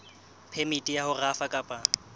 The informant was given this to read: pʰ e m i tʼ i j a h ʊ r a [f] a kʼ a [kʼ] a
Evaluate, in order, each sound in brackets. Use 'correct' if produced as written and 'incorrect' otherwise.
correct, incorrect

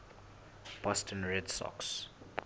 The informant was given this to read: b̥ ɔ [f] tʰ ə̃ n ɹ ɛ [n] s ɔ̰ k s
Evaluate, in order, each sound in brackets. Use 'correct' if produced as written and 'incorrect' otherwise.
incorrect, incorrect

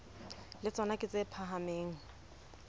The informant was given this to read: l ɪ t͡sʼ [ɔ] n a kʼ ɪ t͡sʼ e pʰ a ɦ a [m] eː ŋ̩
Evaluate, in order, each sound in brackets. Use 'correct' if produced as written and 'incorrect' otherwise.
correct, correct

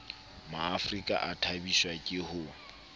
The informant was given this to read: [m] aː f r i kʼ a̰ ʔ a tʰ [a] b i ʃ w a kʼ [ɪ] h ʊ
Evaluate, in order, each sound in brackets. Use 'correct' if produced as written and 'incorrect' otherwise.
correct, correct, correct

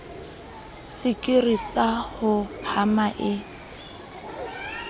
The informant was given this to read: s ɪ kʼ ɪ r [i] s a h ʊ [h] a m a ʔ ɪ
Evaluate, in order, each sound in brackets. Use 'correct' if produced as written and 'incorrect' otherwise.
correct, correct

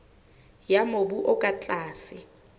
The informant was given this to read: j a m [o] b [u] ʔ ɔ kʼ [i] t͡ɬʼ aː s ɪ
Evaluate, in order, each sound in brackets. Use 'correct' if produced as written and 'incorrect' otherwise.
correct, correct, incorrect

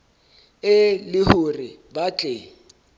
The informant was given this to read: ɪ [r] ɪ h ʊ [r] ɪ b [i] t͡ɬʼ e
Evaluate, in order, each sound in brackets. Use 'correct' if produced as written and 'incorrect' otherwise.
incorrect, correct, incorrect

